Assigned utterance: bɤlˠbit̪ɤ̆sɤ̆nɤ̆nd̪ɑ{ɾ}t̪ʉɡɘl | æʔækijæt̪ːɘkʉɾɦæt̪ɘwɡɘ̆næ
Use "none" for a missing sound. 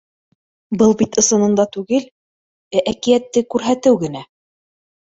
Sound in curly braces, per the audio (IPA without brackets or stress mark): none